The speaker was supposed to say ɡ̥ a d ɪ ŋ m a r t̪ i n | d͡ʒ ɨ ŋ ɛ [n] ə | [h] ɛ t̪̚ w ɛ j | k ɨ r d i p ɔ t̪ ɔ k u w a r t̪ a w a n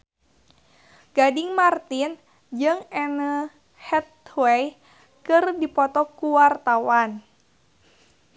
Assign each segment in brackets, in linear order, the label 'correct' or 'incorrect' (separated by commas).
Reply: correct, correct